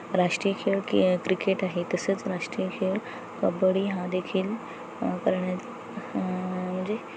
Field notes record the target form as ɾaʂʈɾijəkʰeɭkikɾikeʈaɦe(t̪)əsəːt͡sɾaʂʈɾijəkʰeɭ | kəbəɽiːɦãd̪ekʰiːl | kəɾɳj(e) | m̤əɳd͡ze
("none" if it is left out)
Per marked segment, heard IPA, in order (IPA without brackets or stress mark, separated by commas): t̪, a